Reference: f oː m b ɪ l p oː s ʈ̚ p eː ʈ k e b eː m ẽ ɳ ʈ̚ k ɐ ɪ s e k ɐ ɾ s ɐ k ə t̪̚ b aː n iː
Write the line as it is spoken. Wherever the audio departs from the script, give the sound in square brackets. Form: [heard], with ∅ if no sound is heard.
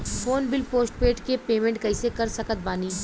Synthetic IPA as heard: f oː [n] b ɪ l p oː s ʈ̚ p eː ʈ k e [p] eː m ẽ ɳ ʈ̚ k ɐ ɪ s e k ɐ ɾ s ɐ k ə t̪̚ b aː n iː